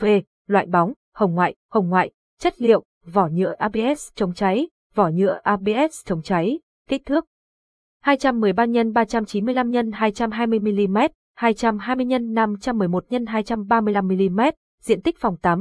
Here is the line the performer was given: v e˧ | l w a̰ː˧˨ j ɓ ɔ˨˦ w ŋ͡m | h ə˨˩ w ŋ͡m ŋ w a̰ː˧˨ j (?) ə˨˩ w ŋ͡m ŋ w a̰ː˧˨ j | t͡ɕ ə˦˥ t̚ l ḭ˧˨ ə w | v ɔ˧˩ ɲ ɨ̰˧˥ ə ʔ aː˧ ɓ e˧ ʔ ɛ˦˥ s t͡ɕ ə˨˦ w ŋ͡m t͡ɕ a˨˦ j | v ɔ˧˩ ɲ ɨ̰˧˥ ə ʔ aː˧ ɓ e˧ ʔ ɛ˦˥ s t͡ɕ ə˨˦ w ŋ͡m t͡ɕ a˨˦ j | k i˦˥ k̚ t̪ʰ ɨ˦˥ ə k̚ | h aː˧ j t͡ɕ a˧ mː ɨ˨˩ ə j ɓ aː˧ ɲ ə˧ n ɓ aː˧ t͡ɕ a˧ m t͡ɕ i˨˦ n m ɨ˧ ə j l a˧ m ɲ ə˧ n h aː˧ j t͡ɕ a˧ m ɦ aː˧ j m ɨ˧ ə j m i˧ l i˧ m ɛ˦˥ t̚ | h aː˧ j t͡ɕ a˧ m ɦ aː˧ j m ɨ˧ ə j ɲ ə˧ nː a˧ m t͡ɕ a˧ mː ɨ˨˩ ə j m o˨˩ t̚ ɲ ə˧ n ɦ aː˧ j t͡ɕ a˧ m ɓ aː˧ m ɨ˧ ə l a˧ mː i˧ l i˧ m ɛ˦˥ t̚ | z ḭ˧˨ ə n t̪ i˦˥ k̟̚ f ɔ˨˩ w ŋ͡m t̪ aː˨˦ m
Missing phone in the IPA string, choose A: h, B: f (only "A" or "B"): A